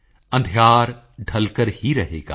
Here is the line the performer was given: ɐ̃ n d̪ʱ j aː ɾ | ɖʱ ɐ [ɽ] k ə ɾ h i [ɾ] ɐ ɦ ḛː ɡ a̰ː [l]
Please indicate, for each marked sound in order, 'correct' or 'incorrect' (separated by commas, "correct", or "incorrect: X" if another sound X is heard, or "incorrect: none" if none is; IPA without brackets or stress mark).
incorrect: l, correct, incorrect: none